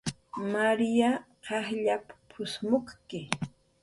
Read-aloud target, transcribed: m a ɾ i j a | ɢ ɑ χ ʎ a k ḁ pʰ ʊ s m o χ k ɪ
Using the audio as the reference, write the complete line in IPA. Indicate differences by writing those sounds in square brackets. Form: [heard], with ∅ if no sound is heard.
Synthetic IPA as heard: m a ɾ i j a | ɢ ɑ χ ʎ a [p] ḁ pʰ ʊ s m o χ k ɪ